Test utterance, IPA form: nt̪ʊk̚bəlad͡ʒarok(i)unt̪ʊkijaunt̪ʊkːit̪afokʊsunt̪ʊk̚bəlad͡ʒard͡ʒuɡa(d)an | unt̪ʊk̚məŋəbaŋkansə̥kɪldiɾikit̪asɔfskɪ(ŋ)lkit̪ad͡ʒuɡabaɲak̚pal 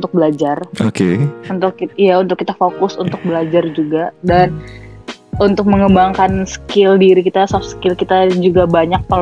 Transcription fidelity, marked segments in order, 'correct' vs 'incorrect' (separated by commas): incorrect, correct, incorrect